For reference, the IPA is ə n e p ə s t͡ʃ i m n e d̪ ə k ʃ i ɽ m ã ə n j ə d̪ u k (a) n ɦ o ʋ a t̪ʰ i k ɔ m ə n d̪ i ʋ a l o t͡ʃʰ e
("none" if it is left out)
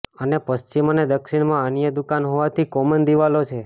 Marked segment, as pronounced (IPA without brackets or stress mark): a